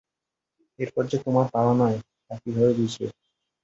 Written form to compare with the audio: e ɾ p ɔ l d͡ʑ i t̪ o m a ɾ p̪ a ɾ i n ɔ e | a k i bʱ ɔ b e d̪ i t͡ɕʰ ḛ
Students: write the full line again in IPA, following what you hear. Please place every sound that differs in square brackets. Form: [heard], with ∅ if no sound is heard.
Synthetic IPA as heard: e ɾ p ɔ [ɾ] d͡ʑ [e] t̪ o m a ɾ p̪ a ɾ [a] n ɔ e | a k i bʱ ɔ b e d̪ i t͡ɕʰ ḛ